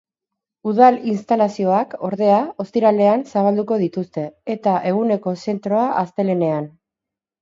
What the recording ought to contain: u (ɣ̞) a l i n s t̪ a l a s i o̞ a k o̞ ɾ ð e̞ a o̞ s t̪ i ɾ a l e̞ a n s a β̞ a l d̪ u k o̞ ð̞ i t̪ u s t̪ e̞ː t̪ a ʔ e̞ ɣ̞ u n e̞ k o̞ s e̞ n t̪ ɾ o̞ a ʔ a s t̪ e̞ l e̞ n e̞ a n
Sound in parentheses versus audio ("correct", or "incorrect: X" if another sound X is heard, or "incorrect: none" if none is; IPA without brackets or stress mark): incorrect: ð̞